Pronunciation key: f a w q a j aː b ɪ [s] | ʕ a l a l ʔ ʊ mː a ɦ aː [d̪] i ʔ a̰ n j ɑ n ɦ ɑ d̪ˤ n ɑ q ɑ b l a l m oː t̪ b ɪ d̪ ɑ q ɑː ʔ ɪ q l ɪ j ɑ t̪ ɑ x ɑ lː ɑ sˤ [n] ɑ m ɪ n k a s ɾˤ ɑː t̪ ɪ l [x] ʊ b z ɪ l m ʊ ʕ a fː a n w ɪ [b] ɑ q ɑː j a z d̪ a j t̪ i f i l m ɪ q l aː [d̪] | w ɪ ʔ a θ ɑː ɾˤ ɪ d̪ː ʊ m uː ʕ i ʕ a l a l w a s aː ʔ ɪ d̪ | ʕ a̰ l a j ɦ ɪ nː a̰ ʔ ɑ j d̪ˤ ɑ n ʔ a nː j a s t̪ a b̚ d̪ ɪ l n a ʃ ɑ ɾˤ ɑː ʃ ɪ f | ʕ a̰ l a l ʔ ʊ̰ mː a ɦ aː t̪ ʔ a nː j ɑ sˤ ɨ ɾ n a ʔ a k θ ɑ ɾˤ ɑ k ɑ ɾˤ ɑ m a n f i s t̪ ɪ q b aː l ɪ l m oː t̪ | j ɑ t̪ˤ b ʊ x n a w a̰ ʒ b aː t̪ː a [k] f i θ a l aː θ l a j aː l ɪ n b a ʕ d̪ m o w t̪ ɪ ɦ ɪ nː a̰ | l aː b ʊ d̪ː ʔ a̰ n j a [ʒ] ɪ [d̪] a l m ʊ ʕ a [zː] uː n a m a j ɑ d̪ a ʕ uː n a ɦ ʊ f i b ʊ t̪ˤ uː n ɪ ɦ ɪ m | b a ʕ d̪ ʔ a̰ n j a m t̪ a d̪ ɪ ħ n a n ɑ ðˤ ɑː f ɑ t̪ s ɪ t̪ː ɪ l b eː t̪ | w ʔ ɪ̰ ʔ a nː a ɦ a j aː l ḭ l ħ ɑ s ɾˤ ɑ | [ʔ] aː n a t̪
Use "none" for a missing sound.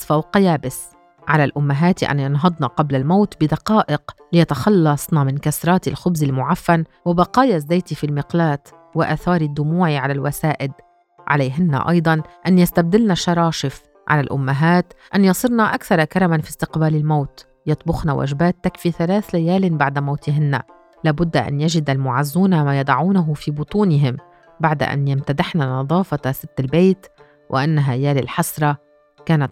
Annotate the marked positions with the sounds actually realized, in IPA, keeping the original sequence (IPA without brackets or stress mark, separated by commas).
s, t̪, n, x, b, t̪, k, ʒ, d̪, zː, k